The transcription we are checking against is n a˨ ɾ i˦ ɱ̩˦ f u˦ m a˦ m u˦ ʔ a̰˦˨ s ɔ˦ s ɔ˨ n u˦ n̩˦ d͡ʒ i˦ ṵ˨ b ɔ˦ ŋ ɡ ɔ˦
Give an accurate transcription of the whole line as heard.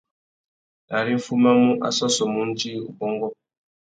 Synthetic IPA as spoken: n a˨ ɾ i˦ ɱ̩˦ f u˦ m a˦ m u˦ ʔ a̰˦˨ s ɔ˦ s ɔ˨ m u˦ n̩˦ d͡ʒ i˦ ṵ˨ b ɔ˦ ŋ ɡ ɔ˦